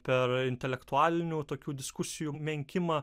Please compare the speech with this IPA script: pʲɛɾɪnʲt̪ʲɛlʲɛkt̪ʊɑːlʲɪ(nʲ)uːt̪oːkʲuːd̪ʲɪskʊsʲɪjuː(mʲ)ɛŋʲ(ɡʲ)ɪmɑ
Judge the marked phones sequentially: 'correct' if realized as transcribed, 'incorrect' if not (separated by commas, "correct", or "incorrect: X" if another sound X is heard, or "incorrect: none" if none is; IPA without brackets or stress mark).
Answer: correct, correct, incorrect: kʲ